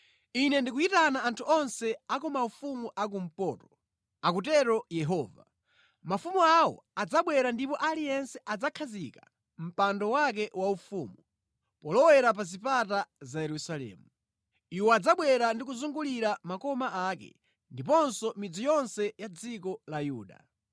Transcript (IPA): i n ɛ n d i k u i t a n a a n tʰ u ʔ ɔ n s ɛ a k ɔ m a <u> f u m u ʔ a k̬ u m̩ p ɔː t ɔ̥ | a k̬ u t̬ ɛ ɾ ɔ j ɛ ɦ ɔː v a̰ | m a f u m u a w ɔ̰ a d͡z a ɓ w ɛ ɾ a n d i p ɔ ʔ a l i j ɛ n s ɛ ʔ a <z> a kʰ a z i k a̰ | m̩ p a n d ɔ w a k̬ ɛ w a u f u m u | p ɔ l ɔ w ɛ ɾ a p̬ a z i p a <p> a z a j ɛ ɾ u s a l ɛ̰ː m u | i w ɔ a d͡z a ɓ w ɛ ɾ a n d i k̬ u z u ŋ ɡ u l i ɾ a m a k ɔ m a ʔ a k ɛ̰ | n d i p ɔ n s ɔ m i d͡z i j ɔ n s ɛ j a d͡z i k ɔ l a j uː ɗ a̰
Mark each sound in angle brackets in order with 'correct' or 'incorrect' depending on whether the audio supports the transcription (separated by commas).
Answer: correct, incorrect, incorrect